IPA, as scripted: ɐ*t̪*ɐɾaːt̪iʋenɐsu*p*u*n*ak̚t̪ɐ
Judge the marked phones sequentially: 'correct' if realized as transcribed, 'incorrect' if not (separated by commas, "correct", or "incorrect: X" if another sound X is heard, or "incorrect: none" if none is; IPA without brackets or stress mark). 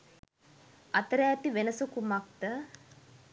correct, incorrect: k, incorrect: m